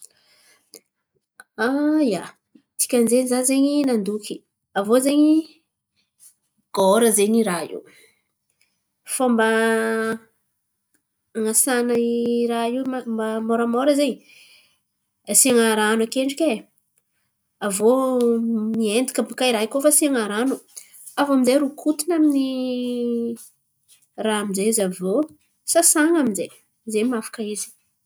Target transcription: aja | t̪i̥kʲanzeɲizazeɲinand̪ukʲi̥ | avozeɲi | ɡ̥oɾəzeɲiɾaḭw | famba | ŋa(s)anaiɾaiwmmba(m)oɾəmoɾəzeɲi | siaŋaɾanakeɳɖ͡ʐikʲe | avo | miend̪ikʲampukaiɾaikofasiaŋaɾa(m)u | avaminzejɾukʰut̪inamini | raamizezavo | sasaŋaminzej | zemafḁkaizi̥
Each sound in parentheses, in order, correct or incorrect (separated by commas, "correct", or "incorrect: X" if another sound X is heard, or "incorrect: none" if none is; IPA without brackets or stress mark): correct, correct, incorrect: n